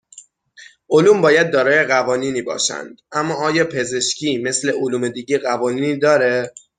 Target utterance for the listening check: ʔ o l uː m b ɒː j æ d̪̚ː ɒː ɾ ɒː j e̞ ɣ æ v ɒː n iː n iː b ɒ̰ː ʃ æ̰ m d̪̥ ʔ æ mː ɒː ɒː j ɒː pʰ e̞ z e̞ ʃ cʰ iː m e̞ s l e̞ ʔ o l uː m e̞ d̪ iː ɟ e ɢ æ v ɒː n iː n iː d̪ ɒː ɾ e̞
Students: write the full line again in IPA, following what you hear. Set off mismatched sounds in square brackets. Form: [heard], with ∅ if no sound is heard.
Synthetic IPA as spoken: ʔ o l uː m b ɒː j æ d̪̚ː ɒː ɾ ɒː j e̞ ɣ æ v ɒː n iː n iː b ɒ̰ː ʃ æ̰ [n] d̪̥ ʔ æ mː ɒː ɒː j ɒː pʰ e̞ z e̞ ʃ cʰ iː m e̞ s l e̞ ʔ o l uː m e̞ d̪ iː ɟ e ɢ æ v ɒː n iː n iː d̪ ɒː ɾ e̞